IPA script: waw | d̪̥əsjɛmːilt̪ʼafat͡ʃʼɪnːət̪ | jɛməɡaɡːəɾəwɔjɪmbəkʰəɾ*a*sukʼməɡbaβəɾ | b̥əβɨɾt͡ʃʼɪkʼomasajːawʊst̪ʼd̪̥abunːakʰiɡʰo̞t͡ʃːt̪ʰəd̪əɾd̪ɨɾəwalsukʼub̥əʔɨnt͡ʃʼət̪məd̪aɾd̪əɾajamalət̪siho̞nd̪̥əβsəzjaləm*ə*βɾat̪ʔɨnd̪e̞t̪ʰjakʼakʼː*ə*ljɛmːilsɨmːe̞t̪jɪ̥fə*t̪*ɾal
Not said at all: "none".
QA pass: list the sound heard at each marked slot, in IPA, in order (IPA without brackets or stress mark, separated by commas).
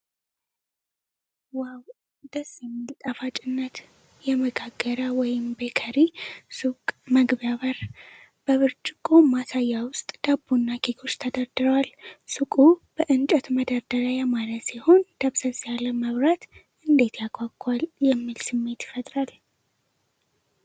i, ə, a, t̪ʼ